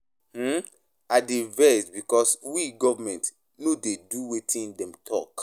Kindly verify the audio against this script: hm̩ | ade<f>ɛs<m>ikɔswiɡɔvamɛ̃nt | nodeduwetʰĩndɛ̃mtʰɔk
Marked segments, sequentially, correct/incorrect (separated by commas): incorrect, incorrect